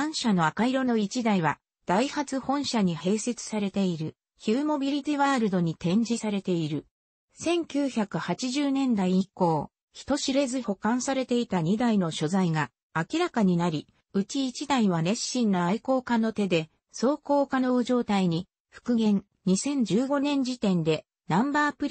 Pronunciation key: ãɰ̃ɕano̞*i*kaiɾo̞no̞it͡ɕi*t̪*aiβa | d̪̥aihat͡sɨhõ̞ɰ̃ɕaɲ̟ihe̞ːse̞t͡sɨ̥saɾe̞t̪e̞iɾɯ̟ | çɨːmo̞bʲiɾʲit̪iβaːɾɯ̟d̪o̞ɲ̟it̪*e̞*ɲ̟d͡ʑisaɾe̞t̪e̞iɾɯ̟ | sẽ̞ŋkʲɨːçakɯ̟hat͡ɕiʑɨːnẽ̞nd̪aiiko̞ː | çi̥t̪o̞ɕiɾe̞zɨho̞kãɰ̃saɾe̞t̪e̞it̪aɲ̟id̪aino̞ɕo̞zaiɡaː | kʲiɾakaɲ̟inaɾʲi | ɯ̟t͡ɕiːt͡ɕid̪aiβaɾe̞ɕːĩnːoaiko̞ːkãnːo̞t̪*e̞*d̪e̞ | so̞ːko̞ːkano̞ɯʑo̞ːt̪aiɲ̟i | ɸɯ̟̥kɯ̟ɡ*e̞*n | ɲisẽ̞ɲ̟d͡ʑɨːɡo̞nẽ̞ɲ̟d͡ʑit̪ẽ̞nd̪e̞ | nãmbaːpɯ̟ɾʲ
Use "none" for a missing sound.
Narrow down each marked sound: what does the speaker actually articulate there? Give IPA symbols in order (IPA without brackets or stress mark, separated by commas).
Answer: a, d̪, ẽ̞, e̞, ẽ̞